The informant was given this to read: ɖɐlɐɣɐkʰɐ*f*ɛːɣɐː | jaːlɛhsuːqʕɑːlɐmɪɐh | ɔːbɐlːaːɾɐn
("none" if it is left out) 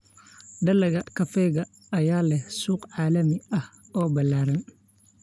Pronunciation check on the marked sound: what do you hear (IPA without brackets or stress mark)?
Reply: f